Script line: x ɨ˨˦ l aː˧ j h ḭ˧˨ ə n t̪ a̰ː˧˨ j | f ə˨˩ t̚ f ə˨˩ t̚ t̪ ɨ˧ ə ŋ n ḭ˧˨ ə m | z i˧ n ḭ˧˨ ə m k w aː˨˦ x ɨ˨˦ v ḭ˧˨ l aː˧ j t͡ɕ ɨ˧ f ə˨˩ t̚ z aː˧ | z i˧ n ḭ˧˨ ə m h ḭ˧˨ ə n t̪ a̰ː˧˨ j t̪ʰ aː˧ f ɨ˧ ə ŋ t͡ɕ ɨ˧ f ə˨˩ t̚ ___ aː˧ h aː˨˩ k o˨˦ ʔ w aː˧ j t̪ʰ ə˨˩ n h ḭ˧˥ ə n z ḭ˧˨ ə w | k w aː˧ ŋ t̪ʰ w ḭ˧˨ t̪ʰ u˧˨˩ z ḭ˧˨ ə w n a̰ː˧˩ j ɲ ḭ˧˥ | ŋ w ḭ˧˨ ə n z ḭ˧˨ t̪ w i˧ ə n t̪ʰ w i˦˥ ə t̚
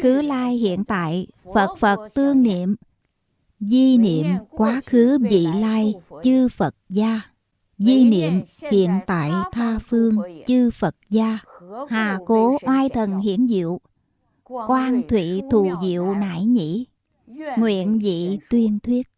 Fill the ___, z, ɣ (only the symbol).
z